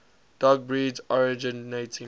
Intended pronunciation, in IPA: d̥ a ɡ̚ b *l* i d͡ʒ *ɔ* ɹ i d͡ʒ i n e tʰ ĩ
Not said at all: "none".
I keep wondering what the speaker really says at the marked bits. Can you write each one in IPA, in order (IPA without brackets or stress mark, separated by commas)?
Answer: ɹ, ɔ